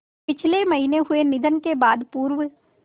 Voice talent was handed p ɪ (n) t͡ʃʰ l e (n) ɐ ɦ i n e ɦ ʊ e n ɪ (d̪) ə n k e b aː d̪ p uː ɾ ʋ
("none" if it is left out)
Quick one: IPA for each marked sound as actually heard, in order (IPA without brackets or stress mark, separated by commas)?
none, m, d̪